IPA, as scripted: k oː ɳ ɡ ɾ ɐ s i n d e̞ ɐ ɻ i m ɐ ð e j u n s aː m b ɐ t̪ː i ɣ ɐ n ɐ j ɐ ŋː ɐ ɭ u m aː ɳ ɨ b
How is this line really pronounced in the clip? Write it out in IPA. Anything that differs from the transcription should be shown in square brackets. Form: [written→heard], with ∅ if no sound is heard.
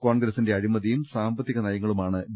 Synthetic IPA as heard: k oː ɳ ɡ ɾ ɐ s i n d e̞ ɐ ɻ i m ɐ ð [e→i] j u [n→m] s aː m b ɐ t̪ː i ɣ ɐ n ɐ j ɐ ŋː ɐ ɭ u m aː ɳ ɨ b